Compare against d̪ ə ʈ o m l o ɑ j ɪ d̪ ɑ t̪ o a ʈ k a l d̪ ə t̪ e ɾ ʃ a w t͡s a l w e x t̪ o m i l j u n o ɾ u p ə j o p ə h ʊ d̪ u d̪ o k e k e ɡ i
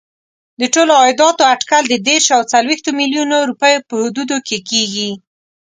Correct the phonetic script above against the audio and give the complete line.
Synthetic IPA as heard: d̪ ə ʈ o l o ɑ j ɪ d̪ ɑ t̪ o a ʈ k a l d̪ ə d̪ e ɾ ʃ a w t͡s a l w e x t̪ o m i l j u n o ɾ u p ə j o p ə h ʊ d̪ u d̪ o k e k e ɡ i